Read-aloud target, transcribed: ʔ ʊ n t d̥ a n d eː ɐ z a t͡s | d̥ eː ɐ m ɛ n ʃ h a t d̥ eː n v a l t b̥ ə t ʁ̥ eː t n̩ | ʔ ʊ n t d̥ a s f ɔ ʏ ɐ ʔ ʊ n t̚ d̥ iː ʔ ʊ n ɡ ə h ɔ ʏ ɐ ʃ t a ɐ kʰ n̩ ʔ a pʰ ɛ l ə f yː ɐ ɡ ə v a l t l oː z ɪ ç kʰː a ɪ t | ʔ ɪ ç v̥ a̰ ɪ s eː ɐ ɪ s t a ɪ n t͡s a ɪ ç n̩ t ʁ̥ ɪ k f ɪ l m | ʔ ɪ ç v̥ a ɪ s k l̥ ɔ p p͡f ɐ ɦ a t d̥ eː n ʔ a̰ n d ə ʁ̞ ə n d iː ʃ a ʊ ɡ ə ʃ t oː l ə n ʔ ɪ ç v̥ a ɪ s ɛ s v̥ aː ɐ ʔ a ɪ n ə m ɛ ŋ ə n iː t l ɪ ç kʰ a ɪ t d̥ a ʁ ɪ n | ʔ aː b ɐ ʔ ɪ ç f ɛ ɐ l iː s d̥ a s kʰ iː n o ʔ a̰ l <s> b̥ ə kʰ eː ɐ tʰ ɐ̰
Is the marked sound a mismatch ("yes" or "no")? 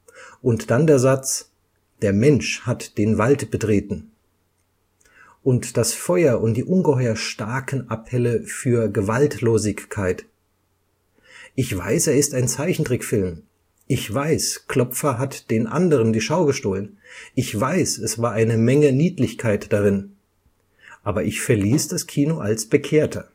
no